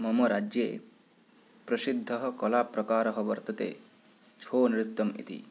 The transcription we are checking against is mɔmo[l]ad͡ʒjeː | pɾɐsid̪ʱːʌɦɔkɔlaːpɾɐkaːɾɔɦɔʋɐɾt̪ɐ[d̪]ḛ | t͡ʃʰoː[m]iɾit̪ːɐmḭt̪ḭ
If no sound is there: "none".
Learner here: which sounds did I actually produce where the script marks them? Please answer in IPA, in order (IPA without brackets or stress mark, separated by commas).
ɾ, t̪, n